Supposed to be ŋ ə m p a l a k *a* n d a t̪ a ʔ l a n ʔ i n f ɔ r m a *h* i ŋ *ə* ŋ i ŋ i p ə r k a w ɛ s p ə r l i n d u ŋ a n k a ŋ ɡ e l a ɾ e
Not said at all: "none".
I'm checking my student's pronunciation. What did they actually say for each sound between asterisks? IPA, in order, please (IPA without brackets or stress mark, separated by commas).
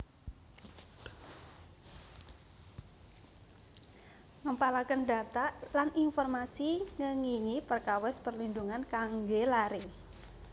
ə, s, ə